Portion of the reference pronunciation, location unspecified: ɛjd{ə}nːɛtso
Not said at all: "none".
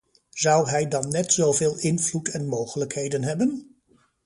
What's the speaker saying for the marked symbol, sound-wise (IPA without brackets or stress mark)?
ɑ